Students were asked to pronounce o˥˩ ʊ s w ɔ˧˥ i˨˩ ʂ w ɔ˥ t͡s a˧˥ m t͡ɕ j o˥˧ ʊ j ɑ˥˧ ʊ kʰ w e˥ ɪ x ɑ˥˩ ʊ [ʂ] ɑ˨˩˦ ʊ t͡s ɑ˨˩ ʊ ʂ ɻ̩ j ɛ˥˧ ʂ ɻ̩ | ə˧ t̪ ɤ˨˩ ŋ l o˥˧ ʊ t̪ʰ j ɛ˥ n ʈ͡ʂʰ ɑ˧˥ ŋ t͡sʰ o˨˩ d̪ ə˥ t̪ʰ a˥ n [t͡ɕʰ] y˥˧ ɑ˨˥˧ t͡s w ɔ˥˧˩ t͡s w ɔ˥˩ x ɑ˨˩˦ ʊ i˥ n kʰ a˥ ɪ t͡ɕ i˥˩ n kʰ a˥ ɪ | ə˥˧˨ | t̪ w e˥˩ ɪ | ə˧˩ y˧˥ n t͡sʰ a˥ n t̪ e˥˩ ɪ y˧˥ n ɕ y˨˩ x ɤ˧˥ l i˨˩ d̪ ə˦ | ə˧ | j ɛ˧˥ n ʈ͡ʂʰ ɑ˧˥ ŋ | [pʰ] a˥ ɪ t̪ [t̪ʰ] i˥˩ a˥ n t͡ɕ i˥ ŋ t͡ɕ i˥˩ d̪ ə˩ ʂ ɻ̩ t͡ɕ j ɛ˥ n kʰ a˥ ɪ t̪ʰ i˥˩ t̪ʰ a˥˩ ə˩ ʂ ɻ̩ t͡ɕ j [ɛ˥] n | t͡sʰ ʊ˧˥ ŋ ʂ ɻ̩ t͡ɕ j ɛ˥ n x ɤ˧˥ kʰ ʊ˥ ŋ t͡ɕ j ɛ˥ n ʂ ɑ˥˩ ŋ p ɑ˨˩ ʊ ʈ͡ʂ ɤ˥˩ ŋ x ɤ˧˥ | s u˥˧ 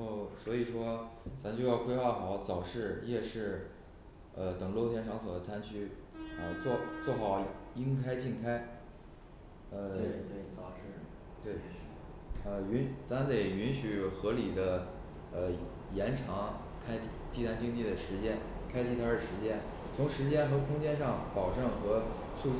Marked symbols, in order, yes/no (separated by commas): no, yes, no, no, yes